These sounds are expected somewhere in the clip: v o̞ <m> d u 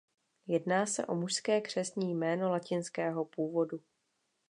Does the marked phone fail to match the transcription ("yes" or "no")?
yes